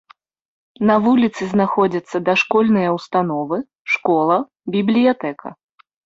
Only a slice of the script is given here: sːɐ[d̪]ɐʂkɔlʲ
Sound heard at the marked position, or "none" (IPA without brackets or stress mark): d̪